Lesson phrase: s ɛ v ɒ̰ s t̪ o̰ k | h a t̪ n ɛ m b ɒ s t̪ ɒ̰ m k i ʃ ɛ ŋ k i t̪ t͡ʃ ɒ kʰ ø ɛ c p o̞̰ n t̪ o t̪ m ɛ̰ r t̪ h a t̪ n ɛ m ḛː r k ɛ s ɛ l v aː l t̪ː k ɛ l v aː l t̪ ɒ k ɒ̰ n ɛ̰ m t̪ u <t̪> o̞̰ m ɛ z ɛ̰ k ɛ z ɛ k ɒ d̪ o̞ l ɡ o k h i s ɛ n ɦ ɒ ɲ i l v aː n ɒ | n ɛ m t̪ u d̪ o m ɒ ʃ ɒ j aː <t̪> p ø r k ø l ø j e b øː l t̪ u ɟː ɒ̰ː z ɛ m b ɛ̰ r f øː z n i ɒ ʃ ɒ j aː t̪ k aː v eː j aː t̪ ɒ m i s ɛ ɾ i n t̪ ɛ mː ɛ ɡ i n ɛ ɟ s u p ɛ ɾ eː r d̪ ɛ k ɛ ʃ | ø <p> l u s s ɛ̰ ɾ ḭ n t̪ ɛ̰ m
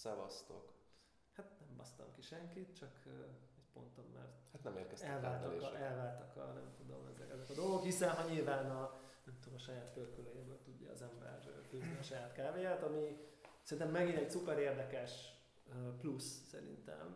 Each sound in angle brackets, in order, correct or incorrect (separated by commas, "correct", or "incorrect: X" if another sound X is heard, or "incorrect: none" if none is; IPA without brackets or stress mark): incorrect: d̪, correct, correct